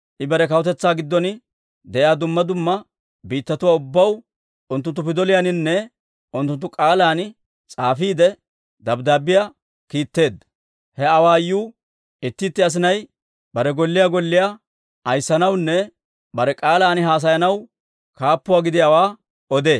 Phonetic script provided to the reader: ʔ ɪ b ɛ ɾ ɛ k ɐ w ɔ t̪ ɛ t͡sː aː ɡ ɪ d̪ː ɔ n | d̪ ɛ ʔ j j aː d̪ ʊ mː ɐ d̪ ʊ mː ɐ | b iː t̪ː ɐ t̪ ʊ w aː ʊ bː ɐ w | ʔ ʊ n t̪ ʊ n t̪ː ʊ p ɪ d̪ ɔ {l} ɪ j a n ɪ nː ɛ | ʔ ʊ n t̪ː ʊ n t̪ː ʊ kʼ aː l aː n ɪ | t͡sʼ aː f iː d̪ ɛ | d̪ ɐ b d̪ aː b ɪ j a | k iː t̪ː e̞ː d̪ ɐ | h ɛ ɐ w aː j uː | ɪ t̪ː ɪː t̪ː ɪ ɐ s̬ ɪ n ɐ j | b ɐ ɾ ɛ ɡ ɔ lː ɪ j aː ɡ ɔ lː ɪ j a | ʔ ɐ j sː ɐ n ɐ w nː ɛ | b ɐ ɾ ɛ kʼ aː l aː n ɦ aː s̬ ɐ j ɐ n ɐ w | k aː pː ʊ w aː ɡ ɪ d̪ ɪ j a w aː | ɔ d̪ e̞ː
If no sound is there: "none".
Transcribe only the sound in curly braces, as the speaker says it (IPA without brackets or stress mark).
l